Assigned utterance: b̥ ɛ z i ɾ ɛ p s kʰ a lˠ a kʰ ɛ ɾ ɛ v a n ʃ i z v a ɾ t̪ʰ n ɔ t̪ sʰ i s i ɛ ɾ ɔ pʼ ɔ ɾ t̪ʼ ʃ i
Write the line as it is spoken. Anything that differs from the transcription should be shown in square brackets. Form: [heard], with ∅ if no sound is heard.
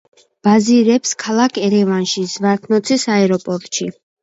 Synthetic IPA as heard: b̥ [a] z i ɾ ɛ p s kʰ a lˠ a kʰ ɛ ɾ ɛ v a n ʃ i z v a ɾ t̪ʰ n ɔ t̪ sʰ i s [a] ɛ ɾ ɔ pʼ ɔ ɾ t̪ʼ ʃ i